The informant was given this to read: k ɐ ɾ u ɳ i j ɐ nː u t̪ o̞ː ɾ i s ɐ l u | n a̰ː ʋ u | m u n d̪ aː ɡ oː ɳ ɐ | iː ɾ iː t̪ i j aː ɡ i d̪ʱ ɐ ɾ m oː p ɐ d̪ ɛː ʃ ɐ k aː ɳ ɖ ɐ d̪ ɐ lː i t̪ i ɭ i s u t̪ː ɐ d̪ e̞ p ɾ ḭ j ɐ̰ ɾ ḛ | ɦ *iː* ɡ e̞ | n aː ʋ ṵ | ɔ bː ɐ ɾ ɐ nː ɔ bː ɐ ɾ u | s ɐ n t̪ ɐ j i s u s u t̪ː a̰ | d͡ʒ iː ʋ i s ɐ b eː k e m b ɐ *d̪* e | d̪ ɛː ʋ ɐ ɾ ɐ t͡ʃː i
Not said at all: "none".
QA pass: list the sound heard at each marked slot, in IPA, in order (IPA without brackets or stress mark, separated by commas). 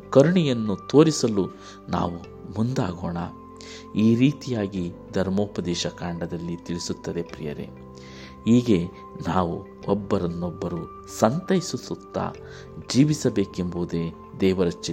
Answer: iː, d̪